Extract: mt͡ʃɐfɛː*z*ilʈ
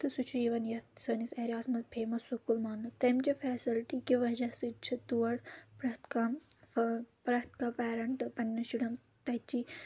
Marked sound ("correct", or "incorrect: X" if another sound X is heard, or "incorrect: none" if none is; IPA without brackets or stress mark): incorrect: s